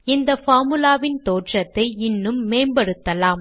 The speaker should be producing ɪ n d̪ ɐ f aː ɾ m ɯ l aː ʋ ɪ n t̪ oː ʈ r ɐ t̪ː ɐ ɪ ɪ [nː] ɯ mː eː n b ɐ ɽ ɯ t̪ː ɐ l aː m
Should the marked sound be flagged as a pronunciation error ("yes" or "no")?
no